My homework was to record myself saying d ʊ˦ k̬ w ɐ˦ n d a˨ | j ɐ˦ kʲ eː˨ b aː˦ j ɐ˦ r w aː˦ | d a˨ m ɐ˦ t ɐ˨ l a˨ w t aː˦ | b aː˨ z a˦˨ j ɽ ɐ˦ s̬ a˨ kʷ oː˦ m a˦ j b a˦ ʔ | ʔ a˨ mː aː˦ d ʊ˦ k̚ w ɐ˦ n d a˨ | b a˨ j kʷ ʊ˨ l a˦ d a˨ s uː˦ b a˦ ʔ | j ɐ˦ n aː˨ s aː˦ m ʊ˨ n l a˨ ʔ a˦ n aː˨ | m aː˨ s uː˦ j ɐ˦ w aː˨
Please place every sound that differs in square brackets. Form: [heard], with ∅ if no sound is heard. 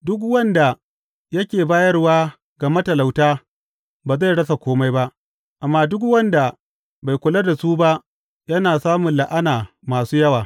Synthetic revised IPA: d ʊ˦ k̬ w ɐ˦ n d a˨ | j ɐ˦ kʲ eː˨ b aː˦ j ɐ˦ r w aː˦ | [ɡ] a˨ m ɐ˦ t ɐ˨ l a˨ w t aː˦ | b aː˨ z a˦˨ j ɽ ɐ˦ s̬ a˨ kʷ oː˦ m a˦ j b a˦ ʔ | ʔ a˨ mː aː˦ d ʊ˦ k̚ w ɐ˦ n d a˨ | b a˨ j kʷ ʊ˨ l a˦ d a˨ s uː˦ b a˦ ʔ | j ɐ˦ n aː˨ s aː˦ m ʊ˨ n l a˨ ʔ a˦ n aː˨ | m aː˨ s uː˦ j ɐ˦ w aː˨